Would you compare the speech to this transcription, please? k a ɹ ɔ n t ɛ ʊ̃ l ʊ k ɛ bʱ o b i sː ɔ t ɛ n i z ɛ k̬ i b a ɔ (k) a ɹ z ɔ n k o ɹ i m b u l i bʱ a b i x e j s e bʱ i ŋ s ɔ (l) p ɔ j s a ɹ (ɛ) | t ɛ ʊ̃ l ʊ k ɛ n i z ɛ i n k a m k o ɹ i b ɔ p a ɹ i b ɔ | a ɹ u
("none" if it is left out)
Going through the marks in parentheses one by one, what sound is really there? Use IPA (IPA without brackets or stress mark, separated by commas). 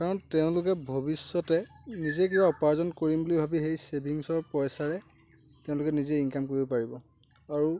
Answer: p, ɹ, ɛ